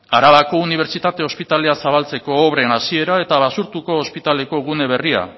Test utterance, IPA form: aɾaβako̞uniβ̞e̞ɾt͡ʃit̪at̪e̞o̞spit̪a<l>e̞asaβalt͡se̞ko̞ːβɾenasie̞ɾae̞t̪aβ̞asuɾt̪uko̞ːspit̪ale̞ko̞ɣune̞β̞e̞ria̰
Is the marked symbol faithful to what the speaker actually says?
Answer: yes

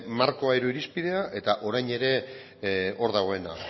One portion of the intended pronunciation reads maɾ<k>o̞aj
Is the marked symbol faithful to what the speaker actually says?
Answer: yes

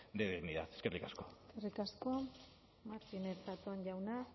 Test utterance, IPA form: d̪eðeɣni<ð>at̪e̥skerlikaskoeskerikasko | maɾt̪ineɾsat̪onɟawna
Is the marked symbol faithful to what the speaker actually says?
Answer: yes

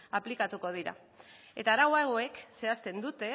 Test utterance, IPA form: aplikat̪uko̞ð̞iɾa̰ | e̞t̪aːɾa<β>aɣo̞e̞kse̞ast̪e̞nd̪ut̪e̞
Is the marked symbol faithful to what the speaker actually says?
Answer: no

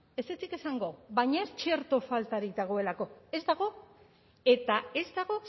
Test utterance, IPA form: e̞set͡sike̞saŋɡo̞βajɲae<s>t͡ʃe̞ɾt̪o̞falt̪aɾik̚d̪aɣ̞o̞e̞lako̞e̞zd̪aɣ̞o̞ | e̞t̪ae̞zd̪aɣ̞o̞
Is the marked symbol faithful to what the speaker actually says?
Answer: yes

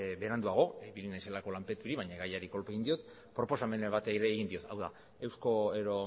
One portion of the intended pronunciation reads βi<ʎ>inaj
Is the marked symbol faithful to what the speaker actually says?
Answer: no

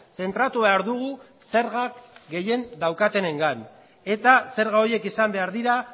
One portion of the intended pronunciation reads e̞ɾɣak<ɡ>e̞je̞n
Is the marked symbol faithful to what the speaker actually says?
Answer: yes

